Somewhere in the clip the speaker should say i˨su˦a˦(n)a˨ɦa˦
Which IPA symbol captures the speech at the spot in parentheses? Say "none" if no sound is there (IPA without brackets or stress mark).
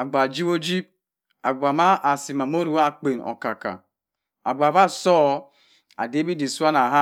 n